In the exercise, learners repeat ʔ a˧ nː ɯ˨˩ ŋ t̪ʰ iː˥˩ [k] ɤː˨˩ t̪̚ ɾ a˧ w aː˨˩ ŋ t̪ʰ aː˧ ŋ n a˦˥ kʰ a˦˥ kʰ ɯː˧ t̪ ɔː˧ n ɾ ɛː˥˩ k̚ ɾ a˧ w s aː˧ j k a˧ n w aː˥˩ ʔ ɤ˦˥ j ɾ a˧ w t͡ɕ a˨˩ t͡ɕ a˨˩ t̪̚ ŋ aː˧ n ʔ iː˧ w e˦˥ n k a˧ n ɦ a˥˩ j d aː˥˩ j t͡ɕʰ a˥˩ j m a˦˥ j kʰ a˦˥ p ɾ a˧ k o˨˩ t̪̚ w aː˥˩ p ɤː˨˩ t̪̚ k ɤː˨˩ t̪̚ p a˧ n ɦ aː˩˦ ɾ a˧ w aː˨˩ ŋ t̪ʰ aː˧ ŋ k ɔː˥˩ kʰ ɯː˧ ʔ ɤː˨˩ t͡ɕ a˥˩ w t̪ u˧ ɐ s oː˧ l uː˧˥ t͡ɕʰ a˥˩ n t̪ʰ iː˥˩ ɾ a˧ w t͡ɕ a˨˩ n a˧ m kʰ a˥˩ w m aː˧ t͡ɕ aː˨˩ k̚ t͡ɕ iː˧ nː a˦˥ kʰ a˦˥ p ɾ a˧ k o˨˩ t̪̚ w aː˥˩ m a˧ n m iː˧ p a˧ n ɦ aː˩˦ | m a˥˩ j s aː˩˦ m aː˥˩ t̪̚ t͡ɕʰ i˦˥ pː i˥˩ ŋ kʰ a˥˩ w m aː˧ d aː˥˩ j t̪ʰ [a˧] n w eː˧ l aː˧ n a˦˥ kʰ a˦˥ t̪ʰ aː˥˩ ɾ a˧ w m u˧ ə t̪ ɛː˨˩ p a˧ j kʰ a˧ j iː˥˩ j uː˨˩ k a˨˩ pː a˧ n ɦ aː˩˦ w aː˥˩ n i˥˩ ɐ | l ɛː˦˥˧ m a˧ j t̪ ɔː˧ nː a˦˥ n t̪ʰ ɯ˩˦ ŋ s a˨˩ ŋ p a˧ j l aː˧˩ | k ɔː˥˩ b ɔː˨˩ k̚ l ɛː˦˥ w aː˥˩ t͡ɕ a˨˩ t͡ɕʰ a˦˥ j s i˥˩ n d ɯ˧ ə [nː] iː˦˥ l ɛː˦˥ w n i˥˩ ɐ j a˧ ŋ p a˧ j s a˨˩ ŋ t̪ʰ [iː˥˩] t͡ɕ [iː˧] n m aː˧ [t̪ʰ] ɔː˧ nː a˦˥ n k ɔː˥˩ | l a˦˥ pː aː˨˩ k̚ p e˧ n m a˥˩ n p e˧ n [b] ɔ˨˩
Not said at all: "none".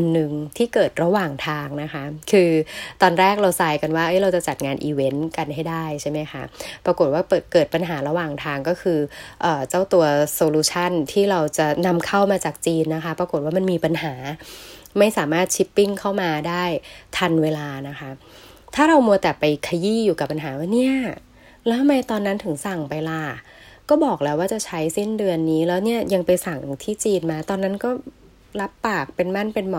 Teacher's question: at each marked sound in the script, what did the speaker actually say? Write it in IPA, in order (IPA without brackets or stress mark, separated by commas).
k, a˧, nː, iː˥˩, iː˧, t̪, m